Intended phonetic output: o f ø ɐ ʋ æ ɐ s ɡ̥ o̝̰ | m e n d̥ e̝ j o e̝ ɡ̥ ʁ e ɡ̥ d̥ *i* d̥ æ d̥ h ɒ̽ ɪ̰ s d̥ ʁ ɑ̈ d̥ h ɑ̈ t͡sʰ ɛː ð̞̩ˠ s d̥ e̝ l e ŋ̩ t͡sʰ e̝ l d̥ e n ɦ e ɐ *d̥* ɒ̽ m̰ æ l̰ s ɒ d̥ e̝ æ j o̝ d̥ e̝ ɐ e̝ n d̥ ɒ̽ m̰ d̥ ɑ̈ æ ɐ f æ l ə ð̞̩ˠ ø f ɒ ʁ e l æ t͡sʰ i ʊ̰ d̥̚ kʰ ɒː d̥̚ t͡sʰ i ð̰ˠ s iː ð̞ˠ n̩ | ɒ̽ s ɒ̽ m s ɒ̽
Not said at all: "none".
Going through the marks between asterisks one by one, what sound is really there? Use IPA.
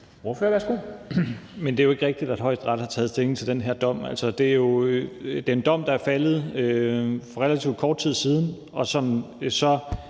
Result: i, d̥

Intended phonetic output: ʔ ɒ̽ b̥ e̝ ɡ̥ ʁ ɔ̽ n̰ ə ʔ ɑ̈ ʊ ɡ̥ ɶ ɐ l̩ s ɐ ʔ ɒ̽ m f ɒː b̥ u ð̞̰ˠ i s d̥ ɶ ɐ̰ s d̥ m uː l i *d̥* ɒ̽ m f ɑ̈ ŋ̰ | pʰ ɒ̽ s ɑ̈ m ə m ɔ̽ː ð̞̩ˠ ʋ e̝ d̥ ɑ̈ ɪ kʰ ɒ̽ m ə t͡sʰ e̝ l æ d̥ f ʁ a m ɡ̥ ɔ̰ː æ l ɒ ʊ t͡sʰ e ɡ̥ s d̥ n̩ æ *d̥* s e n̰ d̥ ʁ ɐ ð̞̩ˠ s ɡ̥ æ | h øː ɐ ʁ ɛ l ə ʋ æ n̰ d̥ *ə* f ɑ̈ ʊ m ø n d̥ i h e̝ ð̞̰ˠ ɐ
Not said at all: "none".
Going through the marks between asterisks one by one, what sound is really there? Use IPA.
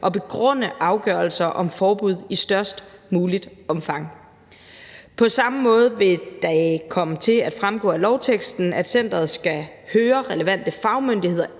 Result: d̥, d̥, ə

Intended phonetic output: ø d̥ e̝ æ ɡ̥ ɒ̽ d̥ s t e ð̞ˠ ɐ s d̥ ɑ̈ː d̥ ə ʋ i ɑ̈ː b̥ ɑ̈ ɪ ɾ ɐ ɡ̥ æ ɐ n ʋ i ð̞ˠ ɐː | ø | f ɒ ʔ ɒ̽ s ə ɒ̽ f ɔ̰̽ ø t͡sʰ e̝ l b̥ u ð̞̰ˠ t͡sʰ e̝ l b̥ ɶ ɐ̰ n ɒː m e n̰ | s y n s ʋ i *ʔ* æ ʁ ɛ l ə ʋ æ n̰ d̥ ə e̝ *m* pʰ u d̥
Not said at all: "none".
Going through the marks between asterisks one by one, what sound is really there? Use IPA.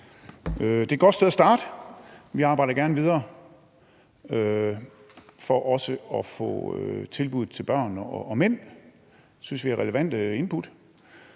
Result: none, n

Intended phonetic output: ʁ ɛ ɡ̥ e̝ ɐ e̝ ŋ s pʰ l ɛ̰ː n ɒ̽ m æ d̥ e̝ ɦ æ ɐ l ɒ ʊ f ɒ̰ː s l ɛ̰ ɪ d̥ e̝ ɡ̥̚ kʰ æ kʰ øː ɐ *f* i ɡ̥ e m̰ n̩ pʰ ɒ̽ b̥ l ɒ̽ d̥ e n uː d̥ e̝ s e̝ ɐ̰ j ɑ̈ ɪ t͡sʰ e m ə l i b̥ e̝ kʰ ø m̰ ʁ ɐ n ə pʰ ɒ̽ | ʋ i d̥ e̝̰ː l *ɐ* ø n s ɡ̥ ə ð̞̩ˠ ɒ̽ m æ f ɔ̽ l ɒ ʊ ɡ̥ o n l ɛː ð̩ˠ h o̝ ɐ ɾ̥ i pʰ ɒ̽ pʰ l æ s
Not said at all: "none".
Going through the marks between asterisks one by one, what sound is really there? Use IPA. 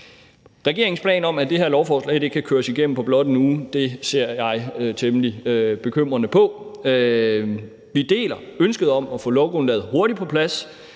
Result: s, ɐ

